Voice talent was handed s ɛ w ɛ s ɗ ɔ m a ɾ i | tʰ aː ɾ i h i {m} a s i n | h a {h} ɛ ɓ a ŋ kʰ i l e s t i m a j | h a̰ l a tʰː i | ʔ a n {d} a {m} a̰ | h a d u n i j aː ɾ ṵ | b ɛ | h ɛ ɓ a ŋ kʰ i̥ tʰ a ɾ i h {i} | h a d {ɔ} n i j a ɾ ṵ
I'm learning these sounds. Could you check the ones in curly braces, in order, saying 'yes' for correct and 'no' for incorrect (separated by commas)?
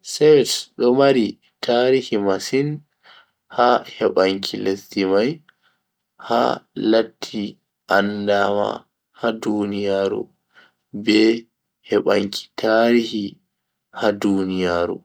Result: yes, yes, yes, yes, yes, no